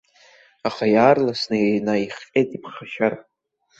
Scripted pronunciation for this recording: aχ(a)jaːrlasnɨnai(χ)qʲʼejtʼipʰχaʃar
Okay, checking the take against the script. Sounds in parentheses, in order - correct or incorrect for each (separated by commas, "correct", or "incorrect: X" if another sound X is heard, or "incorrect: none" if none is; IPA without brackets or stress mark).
correct, correct